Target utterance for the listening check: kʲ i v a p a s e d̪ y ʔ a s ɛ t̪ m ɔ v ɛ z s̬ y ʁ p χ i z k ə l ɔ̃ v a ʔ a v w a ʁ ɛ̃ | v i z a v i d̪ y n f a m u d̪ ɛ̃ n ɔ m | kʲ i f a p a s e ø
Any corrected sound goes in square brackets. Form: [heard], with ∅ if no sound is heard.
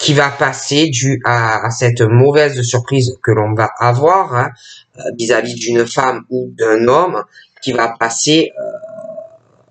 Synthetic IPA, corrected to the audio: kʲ i v a p a s e d̪ y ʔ a s ɛ t̪ m ɔ v ɛ z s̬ y ʁ p χ i z k ə l ɔ̃ v a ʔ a v w a ʁ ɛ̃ | v i z a v i d̪ y n f a m u d̪ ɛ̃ n ɔ m | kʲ i [v] a p a s e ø